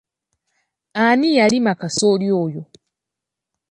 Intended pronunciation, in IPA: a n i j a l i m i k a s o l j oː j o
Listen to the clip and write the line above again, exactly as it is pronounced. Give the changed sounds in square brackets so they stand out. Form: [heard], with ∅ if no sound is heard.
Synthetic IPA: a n i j a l i m [a] k a s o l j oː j o

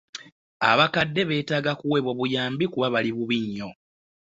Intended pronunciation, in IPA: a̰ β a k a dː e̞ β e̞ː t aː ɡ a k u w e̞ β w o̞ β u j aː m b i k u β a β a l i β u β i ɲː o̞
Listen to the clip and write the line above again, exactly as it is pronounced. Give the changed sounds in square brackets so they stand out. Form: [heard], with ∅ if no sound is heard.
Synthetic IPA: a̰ β a k a dː e̞ β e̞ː t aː ɡ a k u w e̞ β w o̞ β u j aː m b i k u β a β a l i β u β i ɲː o̞

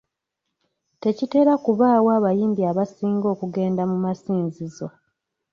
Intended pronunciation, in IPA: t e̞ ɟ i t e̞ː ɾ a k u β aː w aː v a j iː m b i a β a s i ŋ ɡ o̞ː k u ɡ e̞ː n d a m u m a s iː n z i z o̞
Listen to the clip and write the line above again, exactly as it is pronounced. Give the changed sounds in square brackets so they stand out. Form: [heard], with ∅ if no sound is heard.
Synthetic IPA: t e̞ [c] i t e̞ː ɾ a k u β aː w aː [β] a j iː m b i a β a s [iː] ŋ ɡ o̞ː k u ɡ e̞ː n d a m u m a s iː n z i z o̞

